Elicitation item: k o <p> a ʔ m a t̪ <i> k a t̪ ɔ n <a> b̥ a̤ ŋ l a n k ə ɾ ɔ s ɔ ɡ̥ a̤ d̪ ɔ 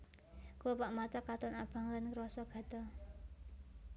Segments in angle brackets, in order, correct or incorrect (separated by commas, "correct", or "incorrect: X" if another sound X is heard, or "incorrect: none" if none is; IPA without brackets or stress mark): correct, incorrect: a, correct